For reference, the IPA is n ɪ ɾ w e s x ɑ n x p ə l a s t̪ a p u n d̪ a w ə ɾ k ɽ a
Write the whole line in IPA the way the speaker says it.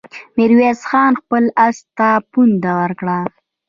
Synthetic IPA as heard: m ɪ ɾ w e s x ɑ n x p ə l a s t̪ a p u n d̪ a w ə ɾ k ɽ a

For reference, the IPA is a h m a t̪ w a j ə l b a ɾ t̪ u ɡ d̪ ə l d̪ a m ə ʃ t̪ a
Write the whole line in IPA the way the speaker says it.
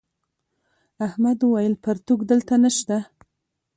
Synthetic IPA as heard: a h m a d̪ w a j ə l p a ɾ t̪ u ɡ d̪ ə l t̪ a n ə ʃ t̪ a

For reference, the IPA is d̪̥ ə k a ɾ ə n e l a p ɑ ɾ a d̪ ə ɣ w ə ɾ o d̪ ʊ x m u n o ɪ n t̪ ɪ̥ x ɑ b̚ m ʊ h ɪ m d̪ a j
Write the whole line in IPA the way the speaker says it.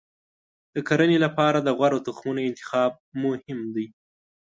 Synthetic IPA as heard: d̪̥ ə k a ɾ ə n e l a p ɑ ɾ a d̪ ə ɣ w a ɾ o t̪ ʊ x m u n o ɪ n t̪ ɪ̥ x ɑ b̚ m ʊ h ɪ m d̪ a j

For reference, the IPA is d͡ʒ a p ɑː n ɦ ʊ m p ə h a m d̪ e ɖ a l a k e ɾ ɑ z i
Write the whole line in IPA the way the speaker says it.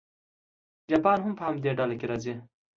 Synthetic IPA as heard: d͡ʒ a p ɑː n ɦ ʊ m p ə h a m d̪ e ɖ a l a k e ɾ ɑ z i

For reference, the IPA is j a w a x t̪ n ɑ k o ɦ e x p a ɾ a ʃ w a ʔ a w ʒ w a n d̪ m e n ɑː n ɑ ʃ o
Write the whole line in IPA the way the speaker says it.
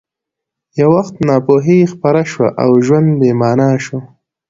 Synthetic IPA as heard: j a w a x t̪ n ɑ p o ɦ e x p a ɾ a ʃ w a ʔ a w ʒ w a n d̪ b e m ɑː n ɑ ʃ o

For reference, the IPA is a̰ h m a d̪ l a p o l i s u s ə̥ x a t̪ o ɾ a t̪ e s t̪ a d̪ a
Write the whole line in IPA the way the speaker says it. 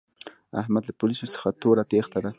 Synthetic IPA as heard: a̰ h m a d̪ l a p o l i s o s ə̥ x a t̪ o ɾ a t̪ e x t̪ a d̪ a

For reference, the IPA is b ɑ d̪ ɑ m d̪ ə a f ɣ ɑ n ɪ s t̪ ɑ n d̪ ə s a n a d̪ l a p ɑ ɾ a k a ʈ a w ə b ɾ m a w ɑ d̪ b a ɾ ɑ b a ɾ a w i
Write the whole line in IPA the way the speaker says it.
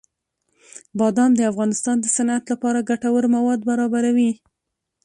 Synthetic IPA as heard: b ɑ d̪ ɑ m d̪ ə a f ɣ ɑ n ɪ s t̪ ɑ n d̪ ə s a n a t̪ l a p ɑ ɾ a ɡ a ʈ a w ə ɾ m a w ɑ d̪ b a ɾ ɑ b a ɾ a w i

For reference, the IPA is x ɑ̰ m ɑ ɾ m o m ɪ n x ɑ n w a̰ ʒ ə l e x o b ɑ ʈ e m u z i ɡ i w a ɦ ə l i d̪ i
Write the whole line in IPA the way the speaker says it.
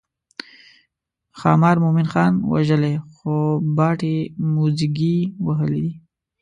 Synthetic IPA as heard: x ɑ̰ m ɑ ɾ m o m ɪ n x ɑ n w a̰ ʒ ə l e x o b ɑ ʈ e m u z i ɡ i w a ɦ ə l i d̪ i

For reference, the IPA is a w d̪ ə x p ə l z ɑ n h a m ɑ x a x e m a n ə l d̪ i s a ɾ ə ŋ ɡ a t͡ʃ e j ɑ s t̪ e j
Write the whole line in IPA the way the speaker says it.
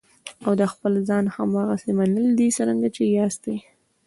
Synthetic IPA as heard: a w d̪ ə x p ə l z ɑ n h a m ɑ ɣ a s e m a n ə l d̪ i s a ɾ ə ŋ ɡ a t͡ʃ e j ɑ s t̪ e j

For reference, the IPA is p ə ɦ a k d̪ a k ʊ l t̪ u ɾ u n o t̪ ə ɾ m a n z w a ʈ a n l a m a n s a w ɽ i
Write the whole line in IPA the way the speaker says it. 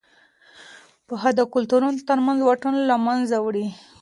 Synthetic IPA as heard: p ə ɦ a d̪ a k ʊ l t̪ u ɾ u n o t̪ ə ɾ m a n z w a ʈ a n l a m a n z a w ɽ i

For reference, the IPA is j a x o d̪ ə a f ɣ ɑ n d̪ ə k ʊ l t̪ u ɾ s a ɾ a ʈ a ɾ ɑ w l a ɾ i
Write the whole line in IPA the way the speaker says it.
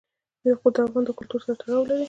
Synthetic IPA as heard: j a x o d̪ ə a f ɣ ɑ n d̪ ə k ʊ l t̪ u ɾ s a ɾ a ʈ a ɽ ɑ w l a ɾ i

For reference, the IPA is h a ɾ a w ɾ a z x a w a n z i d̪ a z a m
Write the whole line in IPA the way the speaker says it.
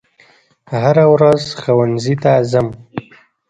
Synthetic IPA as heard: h a ɾ a w ɾ a z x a w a n z i t̪ a z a m

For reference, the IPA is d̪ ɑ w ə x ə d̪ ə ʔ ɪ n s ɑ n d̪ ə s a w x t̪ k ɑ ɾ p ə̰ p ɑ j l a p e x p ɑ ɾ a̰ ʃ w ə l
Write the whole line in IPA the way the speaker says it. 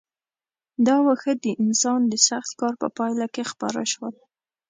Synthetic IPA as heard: d̪ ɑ w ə x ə d̪ ə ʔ ɪ n s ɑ n d̪ ə s a x t̪ k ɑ ɾ p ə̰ p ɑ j l a k e x p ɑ ɾ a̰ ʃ w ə l

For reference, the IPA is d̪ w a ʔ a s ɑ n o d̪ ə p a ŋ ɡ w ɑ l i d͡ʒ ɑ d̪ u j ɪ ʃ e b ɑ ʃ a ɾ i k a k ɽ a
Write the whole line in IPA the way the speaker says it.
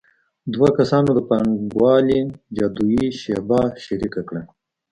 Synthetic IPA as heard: d̪ w a k a s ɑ n o d̪ ə p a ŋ ɡ w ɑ l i d͡ʒ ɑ d̪ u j i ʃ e b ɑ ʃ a ɾ i k a k ɽ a

